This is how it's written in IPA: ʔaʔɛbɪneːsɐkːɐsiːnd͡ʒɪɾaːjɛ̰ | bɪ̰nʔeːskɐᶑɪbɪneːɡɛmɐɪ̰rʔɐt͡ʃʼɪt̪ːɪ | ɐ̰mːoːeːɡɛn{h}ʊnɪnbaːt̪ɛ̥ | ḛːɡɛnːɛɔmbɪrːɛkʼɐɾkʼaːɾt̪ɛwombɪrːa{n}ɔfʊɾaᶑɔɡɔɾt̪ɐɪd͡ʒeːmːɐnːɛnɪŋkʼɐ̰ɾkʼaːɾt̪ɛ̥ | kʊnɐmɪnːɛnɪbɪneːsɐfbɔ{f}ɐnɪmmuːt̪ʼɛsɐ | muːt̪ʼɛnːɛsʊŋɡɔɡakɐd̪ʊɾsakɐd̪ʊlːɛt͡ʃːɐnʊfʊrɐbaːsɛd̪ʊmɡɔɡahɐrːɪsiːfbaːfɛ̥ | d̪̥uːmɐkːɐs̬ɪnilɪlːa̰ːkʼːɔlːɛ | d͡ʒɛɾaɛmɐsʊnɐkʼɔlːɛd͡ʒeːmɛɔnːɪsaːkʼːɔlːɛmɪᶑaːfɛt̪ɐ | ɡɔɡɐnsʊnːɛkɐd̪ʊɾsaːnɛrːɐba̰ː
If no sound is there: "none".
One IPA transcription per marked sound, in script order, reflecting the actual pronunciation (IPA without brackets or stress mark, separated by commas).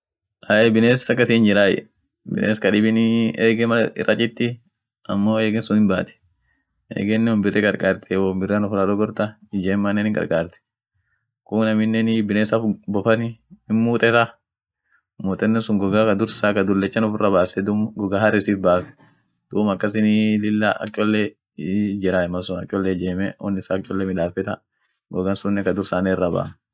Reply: s, n, f